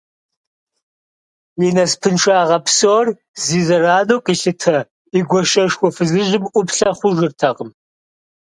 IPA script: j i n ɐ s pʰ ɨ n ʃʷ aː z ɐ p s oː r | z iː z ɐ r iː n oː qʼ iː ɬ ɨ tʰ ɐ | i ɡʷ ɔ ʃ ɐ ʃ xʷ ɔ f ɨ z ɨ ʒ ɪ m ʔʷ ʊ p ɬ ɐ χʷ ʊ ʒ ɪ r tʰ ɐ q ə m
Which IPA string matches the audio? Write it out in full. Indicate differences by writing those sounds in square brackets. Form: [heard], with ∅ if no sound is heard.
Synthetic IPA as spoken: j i n ɐ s pʰ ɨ n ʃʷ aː [ʁ] ɐ p s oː r | z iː z ɐ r [aː] n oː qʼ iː ɬ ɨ tʰ ɐ | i ɡʷ ɔ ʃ ɐ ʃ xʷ ɔ f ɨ z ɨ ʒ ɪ m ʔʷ ʊ p ɬ ɐ χʷ ʊ ʒ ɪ r tʰ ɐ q ə m